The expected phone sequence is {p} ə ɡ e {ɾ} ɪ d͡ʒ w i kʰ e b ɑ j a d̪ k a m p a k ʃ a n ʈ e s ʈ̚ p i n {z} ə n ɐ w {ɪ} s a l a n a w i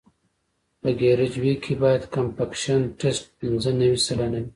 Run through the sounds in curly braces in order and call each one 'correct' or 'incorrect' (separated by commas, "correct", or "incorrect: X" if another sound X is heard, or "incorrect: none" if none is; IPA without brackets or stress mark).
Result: correct, correct, correct, incorrect: i